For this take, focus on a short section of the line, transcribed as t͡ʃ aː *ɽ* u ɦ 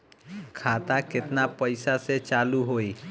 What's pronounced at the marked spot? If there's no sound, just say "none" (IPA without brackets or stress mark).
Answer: l